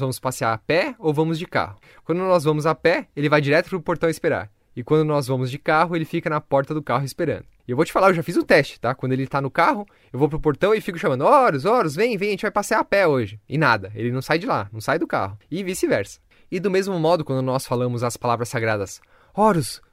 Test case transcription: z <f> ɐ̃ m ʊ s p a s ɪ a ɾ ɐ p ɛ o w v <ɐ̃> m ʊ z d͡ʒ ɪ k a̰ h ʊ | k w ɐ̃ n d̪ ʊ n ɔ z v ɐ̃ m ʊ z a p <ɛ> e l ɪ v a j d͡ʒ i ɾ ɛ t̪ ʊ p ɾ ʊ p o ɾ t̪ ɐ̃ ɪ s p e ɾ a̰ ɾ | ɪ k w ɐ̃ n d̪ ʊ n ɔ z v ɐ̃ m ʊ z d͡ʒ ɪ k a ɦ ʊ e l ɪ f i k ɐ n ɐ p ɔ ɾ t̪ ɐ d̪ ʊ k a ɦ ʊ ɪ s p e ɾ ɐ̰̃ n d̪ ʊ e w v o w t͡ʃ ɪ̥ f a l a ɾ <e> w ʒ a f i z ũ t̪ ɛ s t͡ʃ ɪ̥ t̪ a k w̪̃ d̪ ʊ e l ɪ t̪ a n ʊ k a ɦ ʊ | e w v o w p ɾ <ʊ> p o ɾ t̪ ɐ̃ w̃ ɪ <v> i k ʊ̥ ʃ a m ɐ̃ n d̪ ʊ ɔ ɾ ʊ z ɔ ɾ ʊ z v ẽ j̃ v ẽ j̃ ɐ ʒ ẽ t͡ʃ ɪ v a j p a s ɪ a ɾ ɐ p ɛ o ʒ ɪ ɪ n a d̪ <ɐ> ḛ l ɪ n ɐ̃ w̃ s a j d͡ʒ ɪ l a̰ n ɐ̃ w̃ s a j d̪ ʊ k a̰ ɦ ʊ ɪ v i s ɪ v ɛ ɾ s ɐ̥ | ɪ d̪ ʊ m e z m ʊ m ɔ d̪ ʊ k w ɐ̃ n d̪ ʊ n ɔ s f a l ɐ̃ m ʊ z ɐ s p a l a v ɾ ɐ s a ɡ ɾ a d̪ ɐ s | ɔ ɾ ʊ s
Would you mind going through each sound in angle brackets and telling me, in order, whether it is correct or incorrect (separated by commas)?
incorrect, correct, correct, correct, correct, incorrect, correct